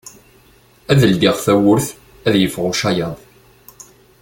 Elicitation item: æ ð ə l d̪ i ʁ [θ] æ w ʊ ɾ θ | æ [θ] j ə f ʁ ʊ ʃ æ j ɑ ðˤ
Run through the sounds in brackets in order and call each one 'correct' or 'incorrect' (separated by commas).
correct, incorrect